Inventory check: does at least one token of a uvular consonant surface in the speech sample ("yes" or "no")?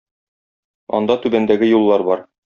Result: no